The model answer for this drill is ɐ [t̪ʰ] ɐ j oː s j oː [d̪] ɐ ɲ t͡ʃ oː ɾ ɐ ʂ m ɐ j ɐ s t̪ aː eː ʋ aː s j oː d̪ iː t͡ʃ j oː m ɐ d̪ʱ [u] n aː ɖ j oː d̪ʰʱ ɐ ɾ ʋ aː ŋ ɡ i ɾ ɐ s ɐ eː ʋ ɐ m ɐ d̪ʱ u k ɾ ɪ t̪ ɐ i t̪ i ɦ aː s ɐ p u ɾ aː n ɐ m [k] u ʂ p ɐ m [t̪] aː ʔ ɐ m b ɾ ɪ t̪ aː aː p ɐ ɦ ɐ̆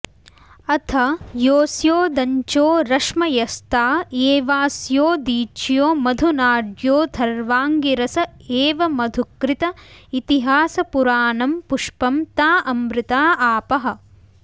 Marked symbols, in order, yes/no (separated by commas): yes, yes, yes, no, yes